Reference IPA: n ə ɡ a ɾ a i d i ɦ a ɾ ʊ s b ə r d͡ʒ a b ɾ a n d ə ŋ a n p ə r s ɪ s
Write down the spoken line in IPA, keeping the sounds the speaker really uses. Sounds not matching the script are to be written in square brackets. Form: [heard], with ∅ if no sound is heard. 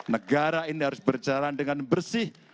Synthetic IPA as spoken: n ə ɡ a ɾ a i [n] i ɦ a ɾ ʊ s b ə r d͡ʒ a [∅] ɾ a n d ə ŋ a n [b] ə r s ɪ [h]